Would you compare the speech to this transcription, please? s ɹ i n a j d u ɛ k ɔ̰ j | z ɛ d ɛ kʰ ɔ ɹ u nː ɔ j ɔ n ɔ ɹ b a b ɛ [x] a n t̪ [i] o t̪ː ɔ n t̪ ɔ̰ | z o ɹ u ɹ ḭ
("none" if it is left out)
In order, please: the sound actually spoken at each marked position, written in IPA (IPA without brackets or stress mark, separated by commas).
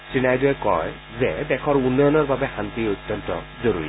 x, i